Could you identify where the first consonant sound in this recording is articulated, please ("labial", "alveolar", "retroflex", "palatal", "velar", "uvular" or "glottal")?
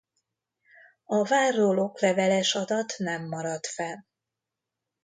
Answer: labial